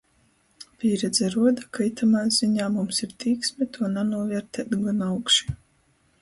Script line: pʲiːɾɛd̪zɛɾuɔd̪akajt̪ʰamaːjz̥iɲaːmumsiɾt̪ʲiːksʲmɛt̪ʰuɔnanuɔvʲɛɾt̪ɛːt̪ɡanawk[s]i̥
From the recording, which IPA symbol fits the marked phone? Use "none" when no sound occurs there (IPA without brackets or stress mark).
ʃ